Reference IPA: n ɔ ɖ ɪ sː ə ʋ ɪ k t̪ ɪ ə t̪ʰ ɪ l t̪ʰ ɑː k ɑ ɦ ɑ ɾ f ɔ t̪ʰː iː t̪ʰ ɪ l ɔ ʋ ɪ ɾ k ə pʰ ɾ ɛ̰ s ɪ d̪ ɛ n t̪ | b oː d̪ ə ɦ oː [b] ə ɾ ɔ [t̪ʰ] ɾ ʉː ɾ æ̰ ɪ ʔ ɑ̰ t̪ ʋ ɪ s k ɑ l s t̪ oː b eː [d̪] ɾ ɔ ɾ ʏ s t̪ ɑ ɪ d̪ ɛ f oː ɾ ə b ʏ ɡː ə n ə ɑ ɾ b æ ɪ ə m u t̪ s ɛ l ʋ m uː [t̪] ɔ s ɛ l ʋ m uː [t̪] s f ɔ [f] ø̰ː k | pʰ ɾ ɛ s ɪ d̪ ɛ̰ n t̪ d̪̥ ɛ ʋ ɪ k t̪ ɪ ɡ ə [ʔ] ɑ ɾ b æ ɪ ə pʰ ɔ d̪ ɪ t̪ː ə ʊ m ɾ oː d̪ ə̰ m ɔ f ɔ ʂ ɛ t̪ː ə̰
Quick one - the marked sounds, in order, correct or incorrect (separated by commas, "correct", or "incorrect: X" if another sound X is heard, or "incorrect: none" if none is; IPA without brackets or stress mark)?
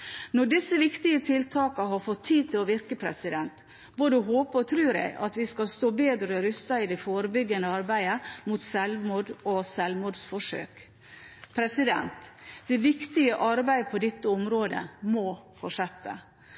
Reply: incorrect: p, correct, correct, incorrect: d̪, incorrect: d̪, incorrect: ʂ, correct